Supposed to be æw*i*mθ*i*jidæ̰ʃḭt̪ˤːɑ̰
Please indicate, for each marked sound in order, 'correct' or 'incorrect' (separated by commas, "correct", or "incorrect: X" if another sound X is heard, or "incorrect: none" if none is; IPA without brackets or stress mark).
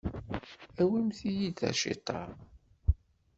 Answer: correct, correct